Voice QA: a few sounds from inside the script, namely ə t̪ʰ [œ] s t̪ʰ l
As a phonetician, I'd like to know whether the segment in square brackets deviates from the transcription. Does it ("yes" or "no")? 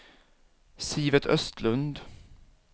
no